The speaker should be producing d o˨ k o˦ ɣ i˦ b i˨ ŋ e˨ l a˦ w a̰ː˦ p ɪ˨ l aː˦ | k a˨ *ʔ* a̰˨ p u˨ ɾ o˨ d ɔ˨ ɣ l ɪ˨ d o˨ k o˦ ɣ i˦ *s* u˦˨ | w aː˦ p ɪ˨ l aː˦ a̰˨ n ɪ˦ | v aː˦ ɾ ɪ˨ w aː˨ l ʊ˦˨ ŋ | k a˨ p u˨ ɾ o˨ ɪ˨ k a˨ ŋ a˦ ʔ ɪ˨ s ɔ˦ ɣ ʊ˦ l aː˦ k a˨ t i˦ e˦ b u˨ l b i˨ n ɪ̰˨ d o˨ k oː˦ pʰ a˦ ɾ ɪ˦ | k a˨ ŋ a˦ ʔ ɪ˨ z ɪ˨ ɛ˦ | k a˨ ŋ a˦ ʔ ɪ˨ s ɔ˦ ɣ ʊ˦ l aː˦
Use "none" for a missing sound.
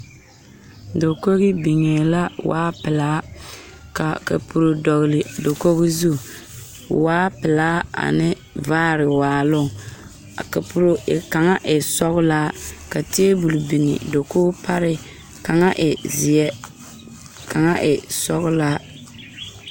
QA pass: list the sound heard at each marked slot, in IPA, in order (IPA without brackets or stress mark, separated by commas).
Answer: k, z